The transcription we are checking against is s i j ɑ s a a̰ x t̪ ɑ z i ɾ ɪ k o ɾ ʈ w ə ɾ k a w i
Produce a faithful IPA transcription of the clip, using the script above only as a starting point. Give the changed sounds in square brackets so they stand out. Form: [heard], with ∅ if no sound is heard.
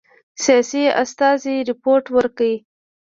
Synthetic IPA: s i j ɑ s [i] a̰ [s] t̪ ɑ z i ɾ ɪ [p] o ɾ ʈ w ə ɾ k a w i